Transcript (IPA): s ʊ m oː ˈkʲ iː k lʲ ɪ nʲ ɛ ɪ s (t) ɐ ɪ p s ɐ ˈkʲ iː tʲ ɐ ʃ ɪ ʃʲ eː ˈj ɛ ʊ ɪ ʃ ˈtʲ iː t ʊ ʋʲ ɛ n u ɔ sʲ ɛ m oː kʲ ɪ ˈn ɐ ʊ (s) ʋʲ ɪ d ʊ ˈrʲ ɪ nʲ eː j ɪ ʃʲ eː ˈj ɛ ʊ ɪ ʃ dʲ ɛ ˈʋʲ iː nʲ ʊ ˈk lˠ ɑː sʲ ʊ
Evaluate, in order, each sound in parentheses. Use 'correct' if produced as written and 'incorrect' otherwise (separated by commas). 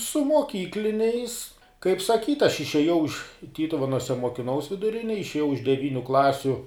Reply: incorrect, correct